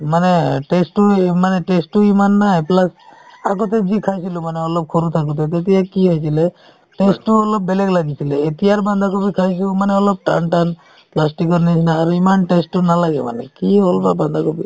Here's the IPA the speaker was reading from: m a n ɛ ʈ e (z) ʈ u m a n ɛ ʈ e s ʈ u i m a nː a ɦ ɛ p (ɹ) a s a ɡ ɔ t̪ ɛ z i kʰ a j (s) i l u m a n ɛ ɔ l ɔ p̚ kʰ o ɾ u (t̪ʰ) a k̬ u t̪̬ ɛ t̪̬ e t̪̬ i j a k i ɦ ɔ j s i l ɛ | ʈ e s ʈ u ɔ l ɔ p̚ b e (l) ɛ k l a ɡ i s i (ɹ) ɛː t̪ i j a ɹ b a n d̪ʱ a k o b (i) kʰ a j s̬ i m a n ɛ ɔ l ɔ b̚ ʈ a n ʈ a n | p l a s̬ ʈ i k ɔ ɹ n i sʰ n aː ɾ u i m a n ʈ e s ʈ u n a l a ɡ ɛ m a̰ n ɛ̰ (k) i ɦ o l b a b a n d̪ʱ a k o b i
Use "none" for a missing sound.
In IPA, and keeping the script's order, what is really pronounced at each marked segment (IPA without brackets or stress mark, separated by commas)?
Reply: s, l, s, t̪ʰ, l, l, i, k